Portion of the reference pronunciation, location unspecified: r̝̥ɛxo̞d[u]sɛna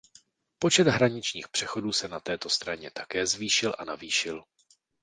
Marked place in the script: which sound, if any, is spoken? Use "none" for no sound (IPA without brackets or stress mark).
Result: uː